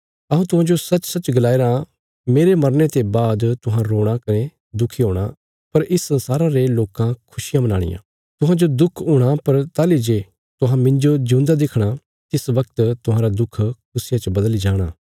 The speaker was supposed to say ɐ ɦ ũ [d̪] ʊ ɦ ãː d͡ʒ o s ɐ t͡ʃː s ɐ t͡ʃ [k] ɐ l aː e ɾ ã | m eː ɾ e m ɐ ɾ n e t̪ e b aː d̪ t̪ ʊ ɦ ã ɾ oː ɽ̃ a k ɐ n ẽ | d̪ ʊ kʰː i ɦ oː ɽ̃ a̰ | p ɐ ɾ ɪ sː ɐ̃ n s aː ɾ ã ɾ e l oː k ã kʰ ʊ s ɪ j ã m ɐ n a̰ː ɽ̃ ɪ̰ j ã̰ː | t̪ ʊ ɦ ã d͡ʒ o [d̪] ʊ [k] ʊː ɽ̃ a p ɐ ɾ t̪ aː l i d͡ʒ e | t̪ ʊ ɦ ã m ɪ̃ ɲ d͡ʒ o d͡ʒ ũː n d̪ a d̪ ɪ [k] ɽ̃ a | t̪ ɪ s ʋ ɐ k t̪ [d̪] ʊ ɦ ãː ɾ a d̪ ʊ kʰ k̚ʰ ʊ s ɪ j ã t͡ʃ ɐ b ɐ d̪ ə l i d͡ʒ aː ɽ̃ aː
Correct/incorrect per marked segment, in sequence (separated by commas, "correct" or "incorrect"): incorrect, incorrect, correct, incorrect, incorrect, incorrect